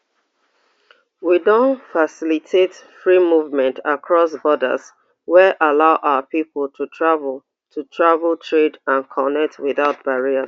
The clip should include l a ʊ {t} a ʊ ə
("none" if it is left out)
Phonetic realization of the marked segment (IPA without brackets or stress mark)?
ʔ